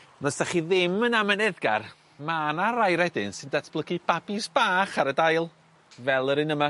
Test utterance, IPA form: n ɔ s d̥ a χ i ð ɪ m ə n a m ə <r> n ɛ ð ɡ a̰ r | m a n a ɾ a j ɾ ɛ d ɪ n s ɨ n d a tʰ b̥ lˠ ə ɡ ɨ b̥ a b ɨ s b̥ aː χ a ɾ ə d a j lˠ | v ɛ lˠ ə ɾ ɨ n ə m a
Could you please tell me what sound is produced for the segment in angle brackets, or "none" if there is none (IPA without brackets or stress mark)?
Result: none